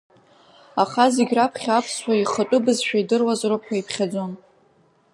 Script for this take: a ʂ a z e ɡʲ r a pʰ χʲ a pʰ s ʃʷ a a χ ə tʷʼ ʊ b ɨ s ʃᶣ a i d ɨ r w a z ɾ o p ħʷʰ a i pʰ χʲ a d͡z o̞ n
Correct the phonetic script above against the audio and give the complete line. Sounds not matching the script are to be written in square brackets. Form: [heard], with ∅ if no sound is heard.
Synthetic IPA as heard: a [χ] a z e ɡʲ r a pʰ χʲ a pʰ s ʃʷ a [i] χ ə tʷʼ ʊ b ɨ [z] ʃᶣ a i d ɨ r w a z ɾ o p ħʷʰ a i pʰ χʲ a d͡z o̞ n